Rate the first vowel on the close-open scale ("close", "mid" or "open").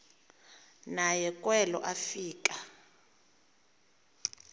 open